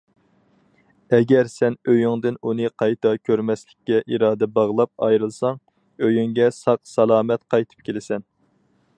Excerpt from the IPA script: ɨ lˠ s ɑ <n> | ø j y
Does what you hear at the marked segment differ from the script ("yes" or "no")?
yes